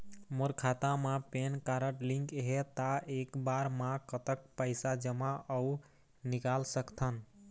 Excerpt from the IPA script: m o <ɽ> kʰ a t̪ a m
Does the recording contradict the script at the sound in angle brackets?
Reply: yes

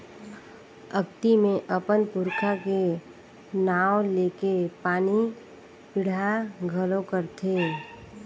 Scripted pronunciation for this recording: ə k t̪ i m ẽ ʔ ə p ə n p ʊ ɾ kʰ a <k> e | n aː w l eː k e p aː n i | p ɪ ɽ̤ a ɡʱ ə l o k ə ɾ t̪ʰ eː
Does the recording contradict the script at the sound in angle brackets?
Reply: no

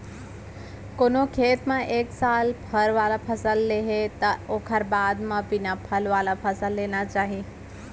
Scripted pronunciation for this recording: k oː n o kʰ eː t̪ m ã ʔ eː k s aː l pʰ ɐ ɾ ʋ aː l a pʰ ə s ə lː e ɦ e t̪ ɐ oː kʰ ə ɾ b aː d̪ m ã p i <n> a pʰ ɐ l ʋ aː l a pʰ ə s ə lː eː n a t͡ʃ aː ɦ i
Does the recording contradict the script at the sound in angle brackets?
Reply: no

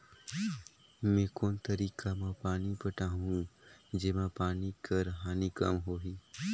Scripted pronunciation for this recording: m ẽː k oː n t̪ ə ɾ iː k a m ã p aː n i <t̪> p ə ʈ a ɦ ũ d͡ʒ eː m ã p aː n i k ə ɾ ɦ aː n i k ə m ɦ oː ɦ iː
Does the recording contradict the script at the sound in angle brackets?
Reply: yes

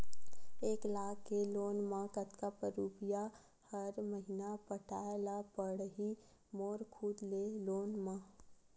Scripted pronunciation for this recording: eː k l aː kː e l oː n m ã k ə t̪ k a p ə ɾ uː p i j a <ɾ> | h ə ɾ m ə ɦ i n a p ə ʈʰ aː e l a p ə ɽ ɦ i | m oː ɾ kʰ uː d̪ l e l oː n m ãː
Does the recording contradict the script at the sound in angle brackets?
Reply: yes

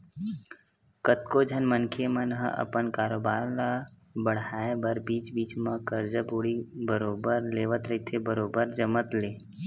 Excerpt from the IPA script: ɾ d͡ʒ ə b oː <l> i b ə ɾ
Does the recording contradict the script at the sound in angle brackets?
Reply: yes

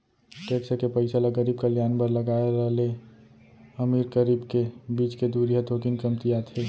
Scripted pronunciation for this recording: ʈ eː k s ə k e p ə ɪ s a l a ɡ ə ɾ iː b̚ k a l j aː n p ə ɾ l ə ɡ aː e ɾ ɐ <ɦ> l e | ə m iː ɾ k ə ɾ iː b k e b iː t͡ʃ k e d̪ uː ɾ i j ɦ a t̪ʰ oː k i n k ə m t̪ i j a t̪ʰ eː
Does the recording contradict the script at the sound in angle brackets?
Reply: no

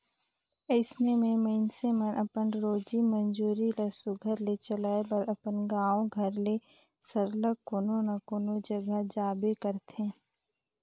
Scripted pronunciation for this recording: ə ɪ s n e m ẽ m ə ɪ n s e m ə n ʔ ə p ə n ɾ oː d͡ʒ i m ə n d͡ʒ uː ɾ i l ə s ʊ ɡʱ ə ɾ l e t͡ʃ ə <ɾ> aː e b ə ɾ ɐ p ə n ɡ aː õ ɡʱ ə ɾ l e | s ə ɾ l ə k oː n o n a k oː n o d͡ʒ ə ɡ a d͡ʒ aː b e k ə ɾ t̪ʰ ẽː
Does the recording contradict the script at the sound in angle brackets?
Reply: yes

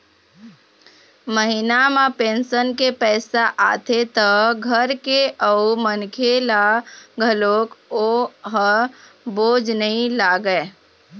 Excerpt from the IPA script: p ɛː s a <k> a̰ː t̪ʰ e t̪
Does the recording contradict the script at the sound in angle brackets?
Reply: yes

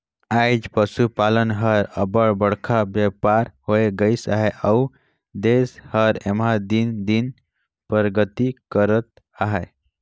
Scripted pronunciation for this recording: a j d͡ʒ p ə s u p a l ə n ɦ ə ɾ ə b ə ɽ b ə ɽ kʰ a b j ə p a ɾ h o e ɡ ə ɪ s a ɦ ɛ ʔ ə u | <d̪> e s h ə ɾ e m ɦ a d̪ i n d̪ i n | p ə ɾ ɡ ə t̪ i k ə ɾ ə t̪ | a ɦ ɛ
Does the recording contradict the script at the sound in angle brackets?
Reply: no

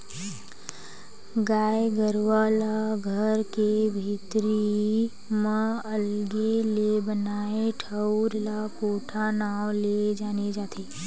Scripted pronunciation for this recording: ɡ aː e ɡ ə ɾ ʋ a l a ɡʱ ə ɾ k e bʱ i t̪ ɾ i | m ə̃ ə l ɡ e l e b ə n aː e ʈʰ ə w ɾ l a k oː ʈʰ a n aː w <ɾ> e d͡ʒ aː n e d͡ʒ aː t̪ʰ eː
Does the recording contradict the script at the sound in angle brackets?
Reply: yes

